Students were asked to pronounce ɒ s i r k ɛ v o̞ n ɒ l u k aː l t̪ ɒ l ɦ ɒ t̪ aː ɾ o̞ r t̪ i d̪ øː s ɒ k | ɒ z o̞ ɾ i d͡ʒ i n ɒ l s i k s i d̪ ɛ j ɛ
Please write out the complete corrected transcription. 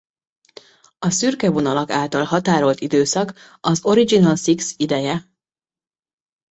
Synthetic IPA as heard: ɒ s y r k ɛ v o̞ n ɒ l ɒ k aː l t̪ ɒ l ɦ ɒ t̪ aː ɾ o̞ l t̪ i d̪ øː s ɒ k | ɒ z o̞ ɾ i d͡ʒ i n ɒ l s i k s i d̪ ɛ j ɛ